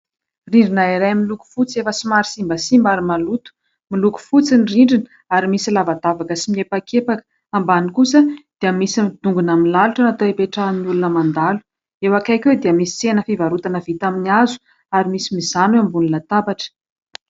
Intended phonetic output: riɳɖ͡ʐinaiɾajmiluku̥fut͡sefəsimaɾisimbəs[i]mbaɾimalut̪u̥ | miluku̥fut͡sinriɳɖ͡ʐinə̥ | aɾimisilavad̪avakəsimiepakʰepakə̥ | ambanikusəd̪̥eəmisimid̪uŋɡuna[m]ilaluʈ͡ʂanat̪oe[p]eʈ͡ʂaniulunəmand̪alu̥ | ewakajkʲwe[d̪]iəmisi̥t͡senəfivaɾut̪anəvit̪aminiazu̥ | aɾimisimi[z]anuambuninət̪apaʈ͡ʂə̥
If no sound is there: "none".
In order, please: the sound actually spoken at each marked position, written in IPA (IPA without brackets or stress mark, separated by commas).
i, m, p, d̪, z